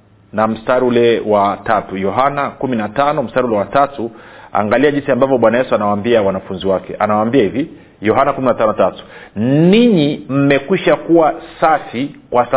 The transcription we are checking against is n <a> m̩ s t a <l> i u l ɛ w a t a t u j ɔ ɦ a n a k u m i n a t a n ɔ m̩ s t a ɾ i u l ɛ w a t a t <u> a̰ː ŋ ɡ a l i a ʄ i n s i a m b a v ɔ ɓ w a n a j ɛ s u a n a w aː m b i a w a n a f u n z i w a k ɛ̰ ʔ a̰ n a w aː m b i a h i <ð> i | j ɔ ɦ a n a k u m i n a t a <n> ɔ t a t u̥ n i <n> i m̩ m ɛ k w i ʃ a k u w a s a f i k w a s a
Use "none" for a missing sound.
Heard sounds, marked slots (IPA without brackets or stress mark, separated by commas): a, ɾ, u, v, n, ɲ